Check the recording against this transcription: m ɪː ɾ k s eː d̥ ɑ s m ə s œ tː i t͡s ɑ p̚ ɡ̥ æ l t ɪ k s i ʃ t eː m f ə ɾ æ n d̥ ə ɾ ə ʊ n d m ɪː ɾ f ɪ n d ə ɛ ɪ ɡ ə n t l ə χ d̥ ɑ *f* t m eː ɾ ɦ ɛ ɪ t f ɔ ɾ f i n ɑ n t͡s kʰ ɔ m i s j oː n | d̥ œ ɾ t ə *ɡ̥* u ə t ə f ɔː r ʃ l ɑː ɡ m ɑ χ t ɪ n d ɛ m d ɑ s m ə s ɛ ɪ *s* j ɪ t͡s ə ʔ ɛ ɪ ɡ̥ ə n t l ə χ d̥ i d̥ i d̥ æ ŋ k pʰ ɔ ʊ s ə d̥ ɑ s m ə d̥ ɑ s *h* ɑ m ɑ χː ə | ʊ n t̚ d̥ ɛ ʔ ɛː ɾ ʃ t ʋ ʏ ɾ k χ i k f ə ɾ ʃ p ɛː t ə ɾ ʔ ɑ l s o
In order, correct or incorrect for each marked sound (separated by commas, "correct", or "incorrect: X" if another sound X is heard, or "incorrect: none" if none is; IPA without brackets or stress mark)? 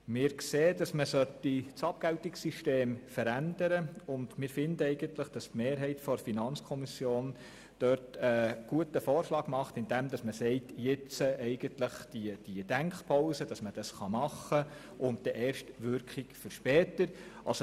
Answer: incorrect: s, correct, incorrect: t, incorrect: χ